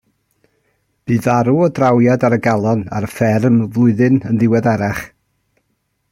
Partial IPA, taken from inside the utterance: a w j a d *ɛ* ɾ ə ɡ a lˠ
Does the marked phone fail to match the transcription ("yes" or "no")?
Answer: yes